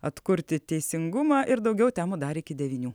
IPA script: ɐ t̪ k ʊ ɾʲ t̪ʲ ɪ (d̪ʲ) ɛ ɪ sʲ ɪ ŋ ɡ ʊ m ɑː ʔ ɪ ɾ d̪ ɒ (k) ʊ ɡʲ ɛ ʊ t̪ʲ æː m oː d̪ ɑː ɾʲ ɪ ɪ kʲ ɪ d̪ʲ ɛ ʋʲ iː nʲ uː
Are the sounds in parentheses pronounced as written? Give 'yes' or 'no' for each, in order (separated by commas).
no, no